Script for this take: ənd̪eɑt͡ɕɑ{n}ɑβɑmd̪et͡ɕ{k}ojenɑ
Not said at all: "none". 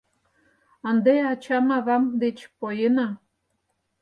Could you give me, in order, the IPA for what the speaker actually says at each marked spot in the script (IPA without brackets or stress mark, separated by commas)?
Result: m, p